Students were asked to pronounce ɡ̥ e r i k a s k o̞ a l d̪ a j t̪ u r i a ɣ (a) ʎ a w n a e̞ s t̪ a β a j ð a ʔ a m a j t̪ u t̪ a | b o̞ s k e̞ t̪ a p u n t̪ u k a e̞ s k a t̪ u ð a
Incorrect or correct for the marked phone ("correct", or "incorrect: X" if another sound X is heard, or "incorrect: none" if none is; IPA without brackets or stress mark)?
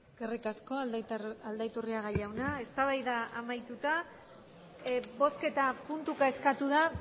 correct